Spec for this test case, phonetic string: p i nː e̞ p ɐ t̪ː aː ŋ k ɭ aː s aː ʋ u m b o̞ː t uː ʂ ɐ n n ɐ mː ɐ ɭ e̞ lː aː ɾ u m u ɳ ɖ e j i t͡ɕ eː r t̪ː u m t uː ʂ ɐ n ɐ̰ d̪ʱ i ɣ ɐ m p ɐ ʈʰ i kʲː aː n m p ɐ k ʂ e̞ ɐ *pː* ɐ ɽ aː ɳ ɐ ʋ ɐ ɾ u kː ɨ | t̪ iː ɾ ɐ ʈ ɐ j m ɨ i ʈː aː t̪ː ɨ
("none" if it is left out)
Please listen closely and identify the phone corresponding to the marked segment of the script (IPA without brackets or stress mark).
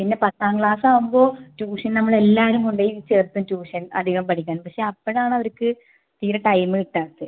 pː